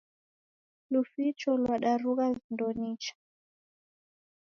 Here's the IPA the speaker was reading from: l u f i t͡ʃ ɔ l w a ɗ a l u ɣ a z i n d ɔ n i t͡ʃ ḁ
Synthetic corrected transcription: l u f i t͡ʃ ɔ l w a ɗ a ɾ u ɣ a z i n d ɔ n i t͡ʃ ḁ

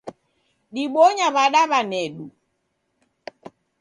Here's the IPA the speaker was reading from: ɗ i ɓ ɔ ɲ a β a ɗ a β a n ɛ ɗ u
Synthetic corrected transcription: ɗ i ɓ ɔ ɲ a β a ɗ a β a n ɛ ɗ u

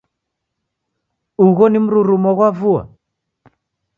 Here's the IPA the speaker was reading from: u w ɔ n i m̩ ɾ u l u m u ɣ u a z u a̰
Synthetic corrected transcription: u ɣ ɔ n i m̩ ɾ u ɾ u m ɔ ɣ w a v u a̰

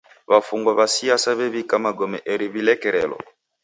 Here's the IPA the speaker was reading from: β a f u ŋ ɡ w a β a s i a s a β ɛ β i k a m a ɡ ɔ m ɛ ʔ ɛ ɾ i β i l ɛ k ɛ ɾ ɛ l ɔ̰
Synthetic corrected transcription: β a f u ŋ ɡ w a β a s i a s a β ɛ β i k a m a ɡ ɔ m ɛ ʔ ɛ ɾ i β i l ɛ k ɛ ɾ ɛ l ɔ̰

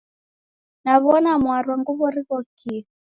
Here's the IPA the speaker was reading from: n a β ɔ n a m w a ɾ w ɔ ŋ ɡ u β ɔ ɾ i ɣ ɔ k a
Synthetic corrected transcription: n a β ɔ n a m w a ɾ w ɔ ŋ ɡ u β ɔ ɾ i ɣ ɔ k i

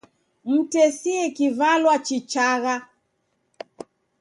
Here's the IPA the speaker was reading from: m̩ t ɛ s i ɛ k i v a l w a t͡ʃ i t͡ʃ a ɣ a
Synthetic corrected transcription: m̩ t ɛ s i ɛ k i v a l w a t͡ʃ i t͡ʃ a ɣ a

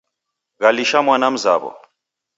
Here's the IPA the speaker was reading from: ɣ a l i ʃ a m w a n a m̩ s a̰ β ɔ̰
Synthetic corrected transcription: ɣ a l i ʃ a m w a n a m̩ z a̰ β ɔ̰

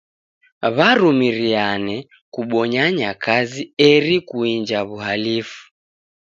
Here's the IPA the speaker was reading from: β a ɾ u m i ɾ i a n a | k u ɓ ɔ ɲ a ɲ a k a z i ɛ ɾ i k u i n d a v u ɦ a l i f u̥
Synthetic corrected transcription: β a ɾ u m i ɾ i a n ɛ | k u ɓ ɔ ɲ a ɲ a k a z i ɛ ɾ i k u i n d͡ʒ a β u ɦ a l i f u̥

